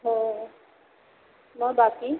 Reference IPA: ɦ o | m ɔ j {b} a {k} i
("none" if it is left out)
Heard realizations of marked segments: b, k

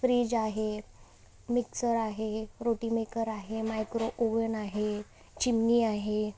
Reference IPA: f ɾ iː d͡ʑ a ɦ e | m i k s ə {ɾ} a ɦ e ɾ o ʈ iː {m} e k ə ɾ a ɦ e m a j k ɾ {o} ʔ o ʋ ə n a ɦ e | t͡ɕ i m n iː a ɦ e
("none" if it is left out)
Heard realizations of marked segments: ɾ, m, o

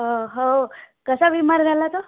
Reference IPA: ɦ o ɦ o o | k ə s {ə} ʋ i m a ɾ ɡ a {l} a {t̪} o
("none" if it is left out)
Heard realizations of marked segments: a, l, t̪

